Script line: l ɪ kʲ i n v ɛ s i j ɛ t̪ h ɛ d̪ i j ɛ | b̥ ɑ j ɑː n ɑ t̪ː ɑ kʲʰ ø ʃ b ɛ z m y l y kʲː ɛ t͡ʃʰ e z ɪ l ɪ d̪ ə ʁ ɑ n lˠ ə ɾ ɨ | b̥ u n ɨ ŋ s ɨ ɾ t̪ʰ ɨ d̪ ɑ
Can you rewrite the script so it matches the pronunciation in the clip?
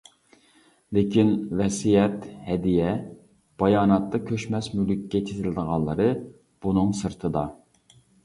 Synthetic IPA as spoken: l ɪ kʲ i n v ɛ s i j ɛ t̪ h ɛ d̪ i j ɛ | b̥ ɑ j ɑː n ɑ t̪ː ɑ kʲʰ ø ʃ m ɛ s m y l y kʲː ɛ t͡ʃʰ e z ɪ l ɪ d̪ ə ʁ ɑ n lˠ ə ɾ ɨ | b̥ u n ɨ ŋ s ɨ ɾ t̪ʰ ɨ d̪ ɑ